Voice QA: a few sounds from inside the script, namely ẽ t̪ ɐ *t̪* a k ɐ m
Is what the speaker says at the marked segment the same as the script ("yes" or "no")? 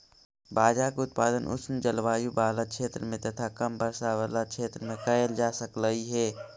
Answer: no